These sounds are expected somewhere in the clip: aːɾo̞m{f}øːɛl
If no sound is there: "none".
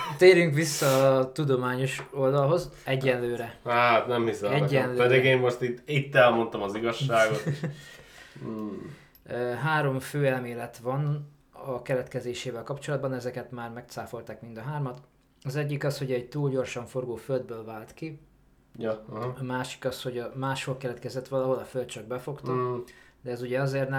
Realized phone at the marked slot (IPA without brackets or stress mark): f